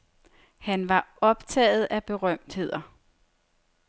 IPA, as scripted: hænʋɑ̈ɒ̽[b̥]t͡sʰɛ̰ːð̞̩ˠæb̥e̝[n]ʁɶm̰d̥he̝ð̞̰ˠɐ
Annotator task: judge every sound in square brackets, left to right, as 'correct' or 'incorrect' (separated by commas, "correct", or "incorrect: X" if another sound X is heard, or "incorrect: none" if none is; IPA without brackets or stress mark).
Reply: correct, incorrect: none